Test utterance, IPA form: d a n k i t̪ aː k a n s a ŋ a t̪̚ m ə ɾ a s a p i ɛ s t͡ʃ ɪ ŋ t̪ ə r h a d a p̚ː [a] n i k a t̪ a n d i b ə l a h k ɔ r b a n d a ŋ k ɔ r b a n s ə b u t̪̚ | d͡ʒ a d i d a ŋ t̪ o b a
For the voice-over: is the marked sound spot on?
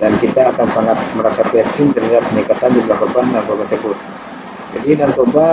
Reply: no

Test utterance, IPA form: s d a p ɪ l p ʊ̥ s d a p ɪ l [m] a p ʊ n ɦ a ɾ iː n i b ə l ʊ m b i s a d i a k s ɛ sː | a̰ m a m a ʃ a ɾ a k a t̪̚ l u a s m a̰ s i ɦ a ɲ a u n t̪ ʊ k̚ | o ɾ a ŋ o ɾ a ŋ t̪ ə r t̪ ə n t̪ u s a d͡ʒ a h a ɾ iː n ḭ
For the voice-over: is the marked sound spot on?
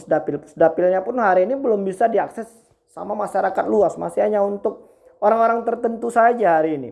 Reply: no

